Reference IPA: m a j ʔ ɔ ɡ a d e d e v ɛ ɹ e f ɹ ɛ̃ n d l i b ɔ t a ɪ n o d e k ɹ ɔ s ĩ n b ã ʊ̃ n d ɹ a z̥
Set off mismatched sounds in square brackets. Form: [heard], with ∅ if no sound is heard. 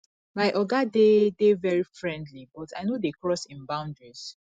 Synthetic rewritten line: m a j ʔ ɔ ɡ a d e d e v ɛ ɹ [i] f ɹ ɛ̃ n d l i b ɔ t a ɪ n o d e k ɹ ɔ s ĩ n b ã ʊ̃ n d ɹ [i] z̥